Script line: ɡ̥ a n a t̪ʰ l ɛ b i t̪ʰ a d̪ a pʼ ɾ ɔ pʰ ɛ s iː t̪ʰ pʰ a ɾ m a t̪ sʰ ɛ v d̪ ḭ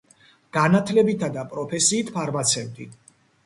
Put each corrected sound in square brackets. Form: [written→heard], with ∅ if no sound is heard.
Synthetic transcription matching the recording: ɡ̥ a n a t̪ʰ l ɛ b i t̪ʰ a d̪ a pʼ ɾ ɔ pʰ ɛ s iː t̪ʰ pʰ a ɾ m a t̪ sʰ ɛ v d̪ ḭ